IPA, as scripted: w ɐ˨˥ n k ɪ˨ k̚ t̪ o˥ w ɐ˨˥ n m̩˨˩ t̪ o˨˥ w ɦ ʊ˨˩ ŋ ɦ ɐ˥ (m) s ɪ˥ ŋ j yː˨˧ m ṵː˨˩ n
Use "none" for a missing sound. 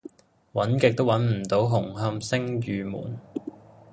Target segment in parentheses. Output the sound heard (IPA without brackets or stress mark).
m